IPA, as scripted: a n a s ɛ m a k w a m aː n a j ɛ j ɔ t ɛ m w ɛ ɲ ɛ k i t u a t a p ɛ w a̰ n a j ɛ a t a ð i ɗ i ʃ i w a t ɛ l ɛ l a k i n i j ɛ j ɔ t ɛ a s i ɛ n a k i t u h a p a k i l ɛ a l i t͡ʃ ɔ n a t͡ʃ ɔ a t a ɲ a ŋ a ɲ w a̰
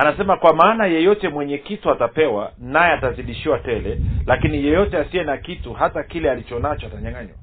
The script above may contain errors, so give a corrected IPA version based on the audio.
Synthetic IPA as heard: a n a s ɛ m a k w a m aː n a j ɛ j ɔ t ɛ m w ɛ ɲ ɛ k i t u a t a p ɛ w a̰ n a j ɛ a t a z i ɗ i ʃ i w a t ɛ l ɛ l a k i n i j ɛ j ɔ t ɛ a s i ɛ n a k i t u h a t a k i l ɛ a l i t͡ʃ ɔ n a t͡ʃ ɔ a t a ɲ a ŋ a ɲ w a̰